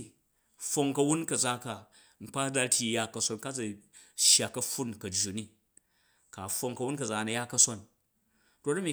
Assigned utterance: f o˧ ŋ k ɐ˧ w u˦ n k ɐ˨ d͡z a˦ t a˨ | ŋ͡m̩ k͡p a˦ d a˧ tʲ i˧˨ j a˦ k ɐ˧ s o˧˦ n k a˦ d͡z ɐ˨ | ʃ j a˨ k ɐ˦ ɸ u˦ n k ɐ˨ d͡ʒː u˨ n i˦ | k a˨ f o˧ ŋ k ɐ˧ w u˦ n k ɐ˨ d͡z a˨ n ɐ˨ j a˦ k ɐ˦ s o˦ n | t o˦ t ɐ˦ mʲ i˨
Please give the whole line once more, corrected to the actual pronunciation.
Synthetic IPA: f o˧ ŋ k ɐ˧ w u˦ n k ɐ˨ d͡z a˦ k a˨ | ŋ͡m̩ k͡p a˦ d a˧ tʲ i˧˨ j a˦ k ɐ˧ s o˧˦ n k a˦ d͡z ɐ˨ | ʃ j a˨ k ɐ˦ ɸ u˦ n k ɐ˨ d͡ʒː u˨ n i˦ | k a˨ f o˧ ŋ k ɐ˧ w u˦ n k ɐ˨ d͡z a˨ n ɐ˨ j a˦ k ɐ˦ s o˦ n | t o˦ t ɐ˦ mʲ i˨